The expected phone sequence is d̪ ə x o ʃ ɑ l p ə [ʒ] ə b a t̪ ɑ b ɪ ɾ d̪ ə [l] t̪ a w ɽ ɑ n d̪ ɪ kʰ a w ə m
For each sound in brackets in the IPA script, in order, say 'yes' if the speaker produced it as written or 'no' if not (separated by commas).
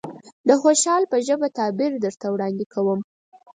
yes, no